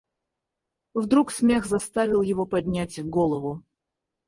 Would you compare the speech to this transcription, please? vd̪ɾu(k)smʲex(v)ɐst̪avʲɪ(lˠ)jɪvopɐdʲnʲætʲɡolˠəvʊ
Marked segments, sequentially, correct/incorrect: correct, incorrect: z, correct

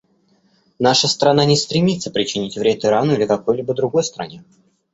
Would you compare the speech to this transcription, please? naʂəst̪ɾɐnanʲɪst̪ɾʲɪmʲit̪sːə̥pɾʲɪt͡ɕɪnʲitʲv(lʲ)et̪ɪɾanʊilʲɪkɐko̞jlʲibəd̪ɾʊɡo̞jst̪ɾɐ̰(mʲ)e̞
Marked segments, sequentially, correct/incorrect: incorrect: ɾʲ, incorrect: nʲ

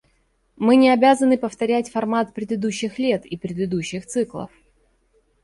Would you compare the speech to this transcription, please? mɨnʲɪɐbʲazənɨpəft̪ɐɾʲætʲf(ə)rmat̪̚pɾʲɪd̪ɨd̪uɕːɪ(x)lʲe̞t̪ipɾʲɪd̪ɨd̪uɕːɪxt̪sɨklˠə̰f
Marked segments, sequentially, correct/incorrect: incorrect: ɐ, correct

